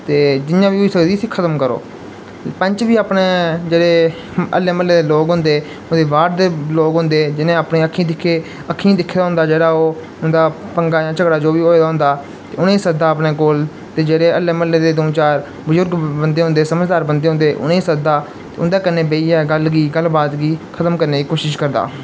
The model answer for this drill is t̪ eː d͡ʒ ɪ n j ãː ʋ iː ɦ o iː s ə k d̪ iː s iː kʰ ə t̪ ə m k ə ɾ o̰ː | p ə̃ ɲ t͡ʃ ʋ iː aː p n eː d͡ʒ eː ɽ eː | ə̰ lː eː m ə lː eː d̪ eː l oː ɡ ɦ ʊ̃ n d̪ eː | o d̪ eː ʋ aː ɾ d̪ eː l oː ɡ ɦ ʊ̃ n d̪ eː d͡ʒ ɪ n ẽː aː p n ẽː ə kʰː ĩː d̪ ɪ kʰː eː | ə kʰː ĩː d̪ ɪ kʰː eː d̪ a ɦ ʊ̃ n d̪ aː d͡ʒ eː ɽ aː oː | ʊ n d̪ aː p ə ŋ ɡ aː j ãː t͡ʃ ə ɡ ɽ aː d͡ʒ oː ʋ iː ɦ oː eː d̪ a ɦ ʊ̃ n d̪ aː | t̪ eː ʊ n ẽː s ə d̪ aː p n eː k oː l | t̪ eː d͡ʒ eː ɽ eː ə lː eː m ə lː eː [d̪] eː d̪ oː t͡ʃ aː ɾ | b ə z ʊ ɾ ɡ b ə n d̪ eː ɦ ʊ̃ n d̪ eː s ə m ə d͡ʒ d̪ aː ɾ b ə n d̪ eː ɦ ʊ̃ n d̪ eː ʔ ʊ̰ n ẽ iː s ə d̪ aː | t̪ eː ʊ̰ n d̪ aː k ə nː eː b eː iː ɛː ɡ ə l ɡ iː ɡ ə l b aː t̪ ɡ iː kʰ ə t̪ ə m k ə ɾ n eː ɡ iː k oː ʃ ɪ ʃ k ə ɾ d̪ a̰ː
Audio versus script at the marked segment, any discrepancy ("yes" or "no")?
no